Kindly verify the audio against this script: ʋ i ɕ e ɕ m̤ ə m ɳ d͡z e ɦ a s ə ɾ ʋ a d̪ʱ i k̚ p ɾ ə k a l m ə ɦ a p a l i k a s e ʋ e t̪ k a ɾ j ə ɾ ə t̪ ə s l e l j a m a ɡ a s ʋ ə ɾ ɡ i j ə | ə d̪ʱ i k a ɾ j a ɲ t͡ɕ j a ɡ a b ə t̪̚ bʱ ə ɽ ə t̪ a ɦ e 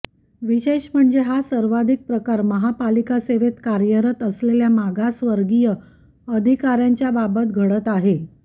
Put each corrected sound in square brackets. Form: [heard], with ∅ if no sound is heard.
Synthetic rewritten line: ʋ i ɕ e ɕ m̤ ə [∅] ɳ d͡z e ɦ a s ə ɾ ʋ a d̪ʱ i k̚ p ɾ ə k a [ɾ] m ə ɦ a p a l i k a s e ʋ e t̪ k a ɾ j ə ɾ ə t̪ ə s l e l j a m a ɡ a s ʋ ə ɾ ɡ i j ə | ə d̪ʱ i k a ɾ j a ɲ t͡ɕ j a [b] a b ə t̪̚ [ɡʱ] ə ɽ ə t̪ a ɦ e